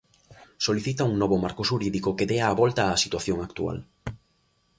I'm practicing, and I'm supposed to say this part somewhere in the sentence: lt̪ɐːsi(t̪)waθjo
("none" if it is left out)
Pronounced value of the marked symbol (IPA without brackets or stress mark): t̪